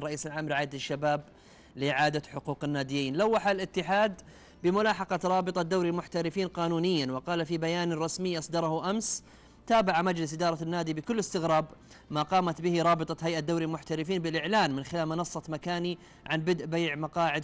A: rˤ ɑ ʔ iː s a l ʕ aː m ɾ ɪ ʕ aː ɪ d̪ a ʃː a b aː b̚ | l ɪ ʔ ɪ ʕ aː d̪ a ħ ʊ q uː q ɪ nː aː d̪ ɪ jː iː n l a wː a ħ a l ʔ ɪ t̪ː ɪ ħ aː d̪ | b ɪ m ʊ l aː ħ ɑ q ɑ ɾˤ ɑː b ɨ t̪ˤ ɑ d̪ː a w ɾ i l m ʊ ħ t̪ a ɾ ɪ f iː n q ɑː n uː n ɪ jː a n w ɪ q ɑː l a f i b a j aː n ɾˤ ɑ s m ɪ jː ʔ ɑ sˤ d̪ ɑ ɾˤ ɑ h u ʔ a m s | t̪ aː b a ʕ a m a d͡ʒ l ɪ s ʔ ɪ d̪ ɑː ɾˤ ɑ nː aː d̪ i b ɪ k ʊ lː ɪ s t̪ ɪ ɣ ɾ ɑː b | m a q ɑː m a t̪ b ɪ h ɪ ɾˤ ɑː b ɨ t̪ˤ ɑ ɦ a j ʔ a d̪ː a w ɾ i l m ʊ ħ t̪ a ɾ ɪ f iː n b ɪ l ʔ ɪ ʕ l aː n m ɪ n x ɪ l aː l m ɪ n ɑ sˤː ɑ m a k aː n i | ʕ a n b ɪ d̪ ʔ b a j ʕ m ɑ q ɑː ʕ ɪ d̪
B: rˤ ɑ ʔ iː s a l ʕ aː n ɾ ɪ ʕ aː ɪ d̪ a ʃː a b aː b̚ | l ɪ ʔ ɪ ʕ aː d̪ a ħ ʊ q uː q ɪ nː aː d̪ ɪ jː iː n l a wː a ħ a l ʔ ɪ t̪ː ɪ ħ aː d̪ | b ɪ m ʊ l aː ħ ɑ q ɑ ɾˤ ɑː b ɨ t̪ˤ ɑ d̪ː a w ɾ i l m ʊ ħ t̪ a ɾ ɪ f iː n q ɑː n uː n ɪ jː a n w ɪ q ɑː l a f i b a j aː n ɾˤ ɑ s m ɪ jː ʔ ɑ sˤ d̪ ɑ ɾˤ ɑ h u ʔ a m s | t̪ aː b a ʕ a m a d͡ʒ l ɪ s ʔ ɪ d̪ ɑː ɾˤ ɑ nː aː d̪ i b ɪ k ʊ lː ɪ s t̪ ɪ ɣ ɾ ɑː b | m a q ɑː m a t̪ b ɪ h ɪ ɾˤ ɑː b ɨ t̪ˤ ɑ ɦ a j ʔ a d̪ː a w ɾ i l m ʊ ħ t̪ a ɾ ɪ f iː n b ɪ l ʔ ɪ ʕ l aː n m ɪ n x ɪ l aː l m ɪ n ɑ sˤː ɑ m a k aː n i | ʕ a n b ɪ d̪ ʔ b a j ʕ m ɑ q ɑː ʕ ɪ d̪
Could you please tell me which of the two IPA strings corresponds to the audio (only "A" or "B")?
A